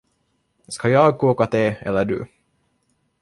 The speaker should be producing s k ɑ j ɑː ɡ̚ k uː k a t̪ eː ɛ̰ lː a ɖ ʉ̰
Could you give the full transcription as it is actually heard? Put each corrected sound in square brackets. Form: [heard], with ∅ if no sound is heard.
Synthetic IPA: s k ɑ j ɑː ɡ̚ k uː k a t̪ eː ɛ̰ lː [ə] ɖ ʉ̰